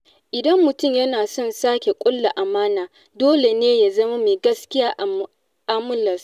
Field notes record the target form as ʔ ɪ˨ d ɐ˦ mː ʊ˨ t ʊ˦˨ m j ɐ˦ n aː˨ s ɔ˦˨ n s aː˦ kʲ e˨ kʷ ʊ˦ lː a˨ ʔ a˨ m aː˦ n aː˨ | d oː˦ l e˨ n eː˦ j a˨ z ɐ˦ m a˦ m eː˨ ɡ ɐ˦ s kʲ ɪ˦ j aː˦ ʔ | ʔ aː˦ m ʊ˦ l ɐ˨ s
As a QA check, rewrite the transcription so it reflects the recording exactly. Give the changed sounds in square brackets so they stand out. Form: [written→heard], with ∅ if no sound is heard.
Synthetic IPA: ʔ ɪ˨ d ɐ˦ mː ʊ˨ t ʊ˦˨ m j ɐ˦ n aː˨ s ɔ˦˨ n s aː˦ kʲ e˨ [kʷ→kʷʼ] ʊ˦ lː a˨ ʔ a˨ m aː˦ n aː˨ | d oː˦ l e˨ n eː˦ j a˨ z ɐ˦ m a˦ m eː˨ ɡ ɐ˦ s kʲ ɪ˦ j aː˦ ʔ | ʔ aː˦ m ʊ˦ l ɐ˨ s